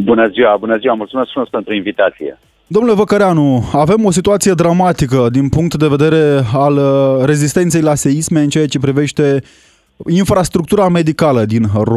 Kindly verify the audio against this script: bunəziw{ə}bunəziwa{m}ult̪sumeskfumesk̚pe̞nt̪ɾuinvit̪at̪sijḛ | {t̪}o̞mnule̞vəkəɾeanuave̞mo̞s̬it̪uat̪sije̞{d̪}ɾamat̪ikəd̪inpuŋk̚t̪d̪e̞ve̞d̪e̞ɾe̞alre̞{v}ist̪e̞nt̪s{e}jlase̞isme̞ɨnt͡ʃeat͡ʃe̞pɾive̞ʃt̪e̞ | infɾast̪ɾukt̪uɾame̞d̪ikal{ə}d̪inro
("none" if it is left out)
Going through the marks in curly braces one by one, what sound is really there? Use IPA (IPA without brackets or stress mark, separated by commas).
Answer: a, m, d̪, d̪, z, e, ə